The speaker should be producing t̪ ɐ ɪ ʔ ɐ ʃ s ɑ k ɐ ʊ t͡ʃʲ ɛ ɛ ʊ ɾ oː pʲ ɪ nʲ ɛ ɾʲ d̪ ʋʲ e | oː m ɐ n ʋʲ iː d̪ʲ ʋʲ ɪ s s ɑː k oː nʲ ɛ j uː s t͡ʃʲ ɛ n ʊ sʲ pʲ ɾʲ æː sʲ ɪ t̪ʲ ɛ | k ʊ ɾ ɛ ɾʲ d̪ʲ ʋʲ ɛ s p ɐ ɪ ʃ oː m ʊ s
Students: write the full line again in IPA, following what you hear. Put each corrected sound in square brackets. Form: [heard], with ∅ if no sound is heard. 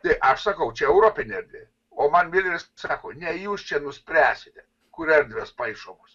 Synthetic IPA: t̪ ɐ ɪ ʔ ɐ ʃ s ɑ k ɐ ʊ t͡ʃʲ ɛ ɛ ʊ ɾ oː pʲ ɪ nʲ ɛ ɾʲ d̪ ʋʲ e | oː m ɐ n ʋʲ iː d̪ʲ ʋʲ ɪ s s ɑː k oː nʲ ɛ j uː s t͡ʃʲ ɛ n ʊ sʲ pʲ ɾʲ æː sʲ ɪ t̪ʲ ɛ | k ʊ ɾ ɛ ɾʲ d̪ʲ ʋʲ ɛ s p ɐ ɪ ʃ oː m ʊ s